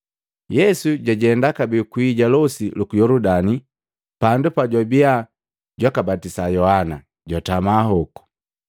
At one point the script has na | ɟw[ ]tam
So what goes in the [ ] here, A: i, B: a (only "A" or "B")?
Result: B